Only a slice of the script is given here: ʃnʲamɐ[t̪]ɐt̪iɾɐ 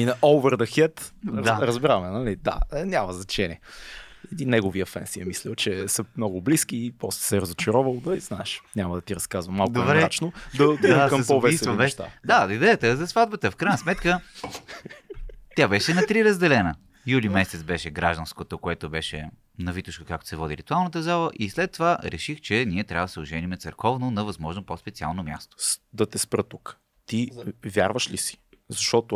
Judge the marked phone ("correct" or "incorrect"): incorrect